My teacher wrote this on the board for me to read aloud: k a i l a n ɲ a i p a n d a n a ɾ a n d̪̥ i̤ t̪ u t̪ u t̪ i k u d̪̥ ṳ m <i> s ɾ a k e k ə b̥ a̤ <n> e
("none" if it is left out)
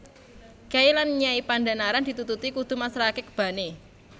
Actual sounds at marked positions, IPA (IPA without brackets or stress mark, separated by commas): a, n